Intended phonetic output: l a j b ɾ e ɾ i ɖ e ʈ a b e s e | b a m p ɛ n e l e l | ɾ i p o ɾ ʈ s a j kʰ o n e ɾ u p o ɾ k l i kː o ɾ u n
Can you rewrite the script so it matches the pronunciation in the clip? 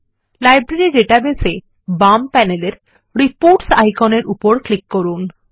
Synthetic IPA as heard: l a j b ɾ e ɾ i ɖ e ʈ a b e s e | b a m p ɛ n e l e ɾ | ɾ i p o ɾ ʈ s a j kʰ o n e ɾ u p o ɾ k l i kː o ɾ u n